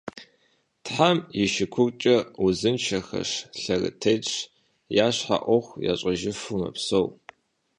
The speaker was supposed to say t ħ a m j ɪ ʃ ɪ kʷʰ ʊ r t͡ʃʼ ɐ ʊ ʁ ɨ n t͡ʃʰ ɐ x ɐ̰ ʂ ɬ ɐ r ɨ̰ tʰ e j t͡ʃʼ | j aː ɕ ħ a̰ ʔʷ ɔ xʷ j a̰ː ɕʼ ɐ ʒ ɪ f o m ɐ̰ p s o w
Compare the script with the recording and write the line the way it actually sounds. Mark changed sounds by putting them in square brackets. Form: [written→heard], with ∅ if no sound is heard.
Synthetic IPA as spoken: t ħ a m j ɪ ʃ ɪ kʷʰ ʊ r t͡ʃʼ ɐ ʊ [ʁ→z] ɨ n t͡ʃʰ ɐ x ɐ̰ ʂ ɬ ɐ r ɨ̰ tʰ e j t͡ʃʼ | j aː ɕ ħ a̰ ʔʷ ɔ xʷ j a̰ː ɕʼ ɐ ʒ ɪ f [o→u] m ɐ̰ p s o w

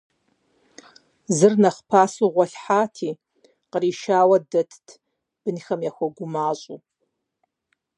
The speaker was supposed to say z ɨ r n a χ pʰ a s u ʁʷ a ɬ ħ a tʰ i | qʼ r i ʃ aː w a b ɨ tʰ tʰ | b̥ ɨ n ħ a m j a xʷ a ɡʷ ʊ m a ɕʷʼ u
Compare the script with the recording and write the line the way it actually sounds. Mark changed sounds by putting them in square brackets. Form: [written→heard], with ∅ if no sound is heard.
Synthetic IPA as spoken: z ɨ r n a χ pʰ a s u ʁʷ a ɬ ħ a tʰ i | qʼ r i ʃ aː w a [b→d] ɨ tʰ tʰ | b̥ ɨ n [ħ→x] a m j a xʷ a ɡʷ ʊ m a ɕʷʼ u

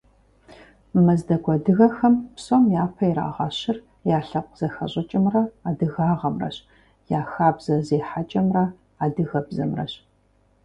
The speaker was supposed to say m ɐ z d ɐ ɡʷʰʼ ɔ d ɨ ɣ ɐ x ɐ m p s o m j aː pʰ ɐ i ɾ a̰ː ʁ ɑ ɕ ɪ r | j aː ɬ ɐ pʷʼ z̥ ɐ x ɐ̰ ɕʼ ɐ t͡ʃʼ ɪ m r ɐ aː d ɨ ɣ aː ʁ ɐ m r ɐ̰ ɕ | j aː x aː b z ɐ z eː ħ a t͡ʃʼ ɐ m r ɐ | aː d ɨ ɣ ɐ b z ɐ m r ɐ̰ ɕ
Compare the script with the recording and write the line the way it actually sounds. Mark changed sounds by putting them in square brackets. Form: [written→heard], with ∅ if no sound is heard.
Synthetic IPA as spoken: m ɐ z d ɐ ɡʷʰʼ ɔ d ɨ ɣ ɐ x ɐ m p s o m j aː pʰ ɐ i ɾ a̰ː ʁ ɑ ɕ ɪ r | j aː ɬ ɐ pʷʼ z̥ ɐ x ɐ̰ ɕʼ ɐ t͡ʃʼ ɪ m r ɐ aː d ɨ ɣ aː ʁ ɐ m r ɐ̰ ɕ | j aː x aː b z ɐ z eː ħ a t͡ʃʼ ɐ m r ɐ | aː d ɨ ɣ ɐ b z ɐ m r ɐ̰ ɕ

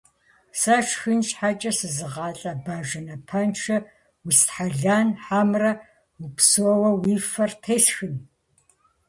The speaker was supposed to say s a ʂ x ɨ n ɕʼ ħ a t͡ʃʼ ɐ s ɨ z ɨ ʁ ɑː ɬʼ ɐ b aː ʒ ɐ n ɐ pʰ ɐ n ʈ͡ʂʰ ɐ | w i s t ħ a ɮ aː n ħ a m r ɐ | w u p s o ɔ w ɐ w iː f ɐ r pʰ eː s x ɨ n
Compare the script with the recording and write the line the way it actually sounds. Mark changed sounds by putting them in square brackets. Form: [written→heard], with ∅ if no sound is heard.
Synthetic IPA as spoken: s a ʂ x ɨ n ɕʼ ħ a t͡ʃʼ ɐ s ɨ z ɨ ʁ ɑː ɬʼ ɐ b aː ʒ ɐ n ɐ pʰ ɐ n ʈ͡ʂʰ ɐ | w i s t ħ a ɮ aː n ħ a m r ɐ | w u p s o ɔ w ɐ w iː f ɐ r [pʰ→tʰ] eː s x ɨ n

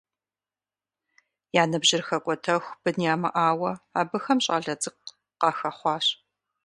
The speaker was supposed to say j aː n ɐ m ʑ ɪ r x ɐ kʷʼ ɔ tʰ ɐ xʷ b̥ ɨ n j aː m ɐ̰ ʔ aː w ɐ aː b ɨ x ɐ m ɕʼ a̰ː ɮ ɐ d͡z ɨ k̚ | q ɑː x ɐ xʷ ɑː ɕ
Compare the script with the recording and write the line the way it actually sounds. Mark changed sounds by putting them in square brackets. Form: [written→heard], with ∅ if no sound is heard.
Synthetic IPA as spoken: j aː n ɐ [m→b] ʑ ɪ r x ɐ kʷʼ ɔ tʰ ɐ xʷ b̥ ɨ n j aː m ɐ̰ ʔ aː w ɐ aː b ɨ x ɐ m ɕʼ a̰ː ɮ ɐ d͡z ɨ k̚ | q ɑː x ɐ [xʷ→χʷ] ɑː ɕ

